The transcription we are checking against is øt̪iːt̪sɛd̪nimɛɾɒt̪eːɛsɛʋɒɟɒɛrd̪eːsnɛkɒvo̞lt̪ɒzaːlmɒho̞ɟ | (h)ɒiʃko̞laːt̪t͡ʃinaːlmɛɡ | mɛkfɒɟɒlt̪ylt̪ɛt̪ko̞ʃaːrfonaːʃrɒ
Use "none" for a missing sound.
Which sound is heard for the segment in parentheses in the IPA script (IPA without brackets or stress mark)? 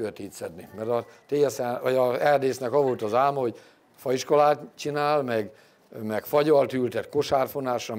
f